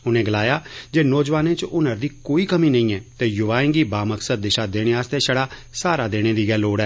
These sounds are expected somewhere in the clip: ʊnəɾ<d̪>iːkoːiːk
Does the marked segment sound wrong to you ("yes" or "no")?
no